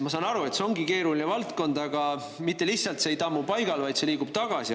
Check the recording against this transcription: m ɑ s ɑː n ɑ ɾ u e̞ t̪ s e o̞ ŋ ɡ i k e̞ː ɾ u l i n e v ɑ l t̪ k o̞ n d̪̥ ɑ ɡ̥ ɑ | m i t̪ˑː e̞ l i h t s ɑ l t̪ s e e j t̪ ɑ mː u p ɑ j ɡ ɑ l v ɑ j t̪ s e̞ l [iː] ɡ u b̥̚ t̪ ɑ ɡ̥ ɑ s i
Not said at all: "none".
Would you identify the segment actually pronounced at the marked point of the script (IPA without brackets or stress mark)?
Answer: iː